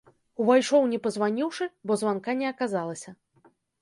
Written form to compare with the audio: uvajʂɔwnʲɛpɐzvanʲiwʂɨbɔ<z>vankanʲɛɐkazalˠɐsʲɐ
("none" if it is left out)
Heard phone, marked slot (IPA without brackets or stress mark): z